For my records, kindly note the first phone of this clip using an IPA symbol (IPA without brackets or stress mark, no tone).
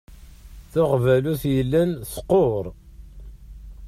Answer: θ